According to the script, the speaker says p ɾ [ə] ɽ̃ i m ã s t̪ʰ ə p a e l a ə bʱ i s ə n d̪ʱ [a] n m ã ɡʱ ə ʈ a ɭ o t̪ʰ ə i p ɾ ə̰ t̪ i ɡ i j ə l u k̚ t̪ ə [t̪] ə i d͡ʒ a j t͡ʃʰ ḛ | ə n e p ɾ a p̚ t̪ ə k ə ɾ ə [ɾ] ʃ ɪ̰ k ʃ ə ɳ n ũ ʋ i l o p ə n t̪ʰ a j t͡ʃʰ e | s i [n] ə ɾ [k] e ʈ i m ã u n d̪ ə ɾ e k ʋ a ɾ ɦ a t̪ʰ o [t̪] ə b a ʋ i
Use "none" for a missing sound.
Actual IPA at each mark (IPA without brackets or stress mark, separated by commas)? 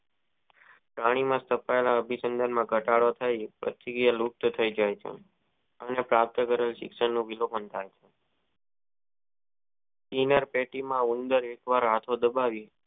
a, a, t̪ʰ, l, n, p, d̪